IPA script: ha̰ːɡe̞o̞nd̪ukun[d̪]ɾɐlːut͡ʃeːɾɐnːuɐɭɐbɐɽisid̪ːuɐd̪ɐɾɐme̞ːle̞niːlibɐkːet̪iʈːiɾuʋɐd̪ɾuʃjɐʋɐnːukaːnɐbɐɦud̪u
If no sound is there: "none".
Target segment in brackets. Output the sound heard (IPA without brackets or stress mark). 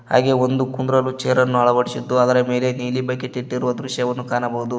d̪